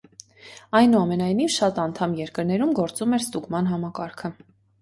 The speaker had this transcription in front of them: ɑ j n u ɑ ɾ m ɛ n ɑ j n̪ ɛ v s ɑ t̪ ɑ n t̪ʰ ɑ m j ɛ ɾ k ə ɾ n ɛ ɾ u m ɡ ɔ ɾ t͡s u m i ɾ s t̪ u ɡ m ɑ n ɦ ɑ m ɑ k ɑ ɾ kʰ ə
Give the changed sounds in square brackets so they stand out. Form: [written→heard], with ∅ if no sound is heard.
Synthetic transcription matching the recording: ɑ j n u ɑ [ɾ→∅] m ɛ n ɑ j n̪ [ɛ→i] v [s→ʃ] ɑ t̪ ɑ n t̪ʰ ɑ m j ɛ ɾ k ə ɾ n ɛ ɾ u m ɡ ɔ ɾ t͡s u m [i→ɛ] ɾ s t̪ u ɡ m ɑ n ɦ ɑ m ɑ k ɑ ɾ kʰ ə